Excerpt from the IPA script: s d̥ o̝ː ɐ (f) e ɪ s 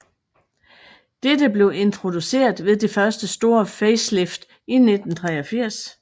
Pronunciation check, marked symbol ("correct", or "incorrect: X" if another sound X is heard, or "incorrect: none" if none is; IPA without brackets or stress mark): correct